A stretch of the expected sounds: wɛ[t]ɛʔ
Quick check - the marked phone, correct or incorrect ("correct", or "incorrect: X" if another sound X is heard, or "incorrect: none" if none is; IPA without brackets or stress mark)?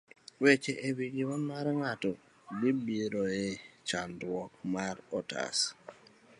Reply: incorrect: t͡ʃ